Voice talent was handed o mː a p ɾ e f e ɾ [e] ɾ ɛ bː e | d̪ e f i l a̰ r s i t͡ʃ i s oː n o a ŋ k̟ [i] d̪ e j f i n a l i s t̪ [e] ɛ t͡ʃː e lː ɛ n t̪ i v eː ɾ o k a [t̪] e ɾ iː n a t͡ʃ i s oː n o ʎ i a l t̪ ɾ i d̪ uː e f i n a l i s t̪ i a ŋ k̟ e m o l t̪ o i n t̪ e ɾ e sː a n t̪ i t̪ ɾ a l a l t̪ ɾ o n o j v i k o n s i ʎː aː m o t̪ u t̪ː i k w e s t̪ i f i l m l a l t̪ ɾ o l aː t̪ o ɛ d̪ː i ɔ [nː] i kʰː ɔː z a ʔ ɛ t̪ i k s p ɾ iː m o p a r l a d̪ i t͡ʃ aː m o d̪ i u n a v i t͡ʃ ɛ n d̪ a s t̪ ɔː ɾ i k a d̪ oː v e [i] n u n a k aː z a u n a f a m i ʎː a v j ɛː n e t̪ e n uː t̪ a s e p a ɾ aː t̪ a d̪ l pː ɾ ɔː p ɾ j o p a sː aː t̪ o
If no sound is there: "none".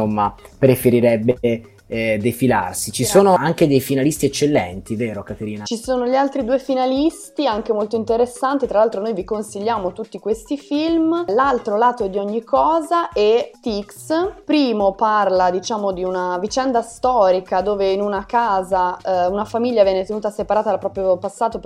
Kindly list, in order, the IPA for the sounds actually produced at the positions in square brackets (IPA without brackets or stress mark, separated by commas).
i, e, i, t̪, ɲː, i